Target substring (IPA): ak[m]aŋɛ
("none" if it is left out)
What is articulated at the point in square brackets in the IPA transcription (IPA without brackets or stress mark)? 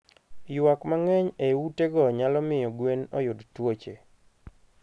m